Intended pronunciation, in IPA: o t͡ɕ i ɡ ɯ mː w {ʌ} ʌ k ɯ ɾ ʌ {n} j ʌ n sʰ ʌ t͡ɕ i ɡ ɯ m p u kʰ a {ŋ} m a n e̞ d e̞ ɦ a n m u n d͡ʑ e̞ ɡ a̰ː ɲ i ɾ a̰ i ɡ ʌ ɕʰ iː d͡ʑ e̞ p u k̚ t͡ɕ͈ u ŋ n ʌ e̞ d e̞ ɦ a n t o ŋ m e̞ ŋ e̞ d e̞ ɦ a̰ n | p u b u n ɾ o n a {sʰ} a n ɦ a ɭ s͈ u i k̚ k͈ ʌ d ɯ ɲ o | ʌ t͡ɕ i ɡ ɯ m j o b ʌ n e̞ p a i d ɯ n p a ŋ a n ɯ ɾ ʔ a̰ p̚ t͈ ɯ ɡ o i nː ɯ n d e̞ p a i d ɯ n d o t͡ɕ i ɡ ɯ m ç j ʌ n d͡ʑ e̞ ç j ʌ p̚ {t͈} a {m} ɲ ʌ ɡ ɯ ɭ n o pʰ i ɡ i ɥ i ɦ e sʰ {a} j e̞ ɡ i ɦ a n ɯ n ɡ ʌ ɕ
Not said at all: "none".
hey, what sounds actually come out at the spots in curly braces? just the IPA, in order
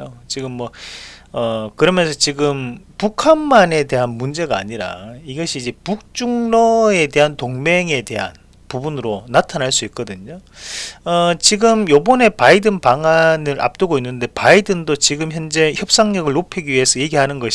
ʌ, m, n, tʰ, s͈, ŋ, ʌ

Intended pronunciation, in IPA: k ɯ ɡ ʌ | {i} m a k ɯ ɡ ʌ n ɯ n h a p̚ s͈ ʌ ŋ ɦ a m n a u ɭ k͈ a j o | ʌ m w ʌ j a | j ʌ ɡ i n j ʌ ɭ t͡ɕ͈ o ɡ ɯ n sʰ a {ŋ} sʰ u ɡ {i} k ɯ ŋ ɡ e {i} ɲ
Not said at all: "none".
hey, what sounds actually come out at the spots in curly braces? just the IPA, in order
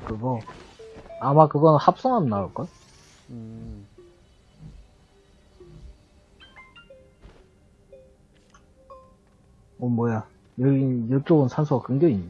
a, n, a, i

